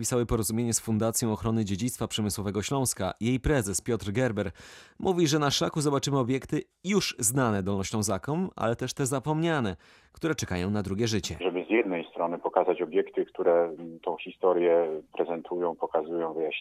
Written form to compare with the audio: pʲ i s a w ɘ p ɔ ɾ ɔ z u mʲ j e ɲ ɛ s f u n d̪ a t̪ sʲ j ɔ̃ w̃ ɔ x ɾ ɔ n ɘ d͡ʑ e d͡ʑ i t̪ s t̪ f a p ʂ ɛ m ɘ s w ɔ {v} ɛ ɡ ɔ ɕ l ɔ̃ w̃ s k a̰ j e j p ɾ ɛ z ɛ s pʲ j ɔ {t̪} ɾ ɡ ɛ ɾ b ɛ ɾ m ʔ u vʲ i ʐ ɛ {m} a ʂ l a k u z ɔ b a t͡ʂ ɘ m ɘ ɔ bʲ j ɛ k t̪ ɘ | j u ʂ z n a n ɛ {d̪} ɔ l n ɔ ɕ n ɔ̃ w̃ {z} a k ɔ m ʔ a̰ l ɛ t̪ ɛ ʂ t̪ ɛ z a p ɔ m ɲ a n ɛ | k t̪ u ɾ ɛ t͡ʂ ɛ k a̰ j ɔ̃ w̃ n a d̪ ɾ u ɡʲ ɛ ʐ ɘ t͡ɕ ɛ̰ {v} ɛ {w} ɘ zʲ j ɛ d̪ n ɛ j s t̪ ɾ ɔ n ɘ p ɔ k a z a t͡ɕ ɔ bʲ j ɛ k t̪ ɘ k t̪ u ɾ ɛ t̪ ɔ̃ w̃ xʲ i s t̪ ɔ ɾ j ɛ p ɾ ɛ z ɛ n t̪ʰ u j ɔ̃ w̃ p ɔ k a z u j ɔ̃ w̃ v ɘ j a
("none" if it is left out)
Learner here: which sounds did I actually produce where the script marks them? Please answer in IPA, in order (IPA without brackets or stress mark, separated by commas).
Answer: v, t̪, n, d̪, z, ʐ, b